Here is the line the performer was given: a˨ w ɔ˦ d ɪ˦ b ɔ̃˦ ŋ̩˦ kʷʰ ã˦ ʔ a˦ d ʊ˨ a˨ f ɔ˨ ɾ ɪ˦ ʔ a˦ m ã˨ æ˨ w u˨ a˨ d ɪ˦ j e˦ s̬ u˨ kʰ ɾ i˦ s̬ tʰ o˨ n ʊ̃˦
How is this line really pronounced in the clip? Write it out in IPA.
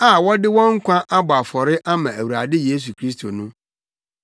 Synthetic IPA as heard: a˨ w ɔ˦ d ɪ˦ w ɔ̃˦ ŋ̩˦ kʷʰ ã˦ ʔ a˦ b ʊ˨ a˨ f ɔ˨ ɾ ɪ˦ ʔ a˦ m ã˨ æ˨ w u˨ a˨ d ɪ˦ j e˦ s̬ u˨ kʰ ɾ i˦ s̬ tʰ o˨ n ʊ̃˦